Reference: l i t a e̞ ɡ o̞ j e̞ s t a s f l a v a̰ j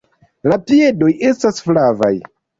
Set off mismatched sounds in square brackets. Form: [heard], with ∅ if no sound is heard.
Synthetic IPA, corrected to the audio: l [a] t [i] e̞ [d] o̞ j e̞ s t a s f l a v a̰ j